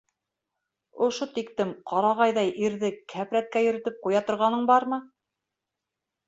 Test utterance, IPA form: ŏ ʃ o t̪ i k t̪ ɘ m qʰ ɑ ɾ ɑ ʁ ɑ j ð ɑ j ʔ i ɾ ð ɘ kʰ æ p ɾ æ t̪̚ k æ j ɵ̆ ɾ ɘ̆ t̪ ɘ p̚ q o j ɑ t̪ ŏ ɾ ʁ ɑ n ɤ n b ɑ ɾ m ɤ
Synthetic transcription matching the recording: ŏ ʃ o t̪ i k t̪ ɘ m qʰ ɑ ɾ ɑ ʁ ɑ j ð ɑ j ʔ i ɾ ð ɘ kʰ æ p ɾ æ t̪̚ k æ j ɵ̆ ɾ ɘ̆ t̪ ɘ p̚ q u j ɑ t̪ ŏ ɾ ʁ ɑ n ɤ ɴ b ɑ ɾ m ɤ